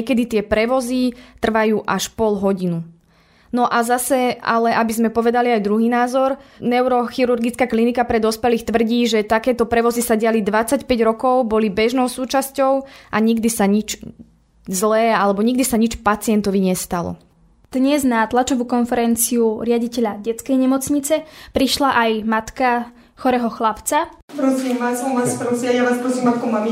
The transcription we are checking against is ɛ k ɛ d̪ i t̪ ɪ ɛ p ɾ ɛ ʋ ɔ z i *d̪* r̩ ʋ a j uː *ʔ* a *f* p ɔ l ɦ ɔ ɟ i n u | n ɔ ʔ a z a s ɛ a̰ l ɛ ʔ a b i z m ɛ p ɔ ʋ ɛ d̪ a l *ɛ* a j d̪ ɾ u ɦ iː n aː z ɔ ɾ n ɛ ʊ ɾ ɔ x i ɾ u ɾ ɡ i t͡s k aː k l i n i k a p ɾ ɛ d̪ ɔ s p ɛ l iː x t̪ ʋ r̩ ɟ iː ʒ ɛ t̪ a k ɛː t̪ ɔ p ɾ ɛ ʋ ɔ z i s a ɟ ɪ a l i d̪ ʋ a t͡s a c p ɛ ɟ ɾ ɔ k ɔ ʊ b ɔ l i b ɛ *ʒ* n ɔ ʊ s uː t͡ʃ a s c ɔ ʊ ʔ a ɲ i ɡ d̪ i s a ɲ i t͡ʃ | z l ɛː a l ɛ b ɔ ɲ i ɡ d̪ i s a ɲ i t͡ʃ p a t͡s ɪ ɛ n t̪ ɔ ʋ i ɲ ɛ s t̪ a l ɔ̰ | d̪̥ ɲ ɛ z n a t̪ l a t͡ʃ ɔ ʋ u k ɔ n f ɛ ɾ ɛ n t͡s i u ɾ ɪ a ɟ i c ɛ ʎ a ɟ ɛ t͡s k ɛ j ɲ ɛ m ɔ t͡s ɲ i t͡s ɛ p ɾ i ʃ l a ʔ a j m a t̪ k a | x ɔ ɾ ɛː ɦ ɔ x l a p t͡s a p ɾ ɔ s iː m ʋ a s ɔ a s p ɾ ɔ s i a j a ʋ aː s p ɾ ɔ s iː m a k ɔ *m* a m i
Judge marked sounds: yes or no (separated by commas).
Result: no, yes, no, no, yes, yes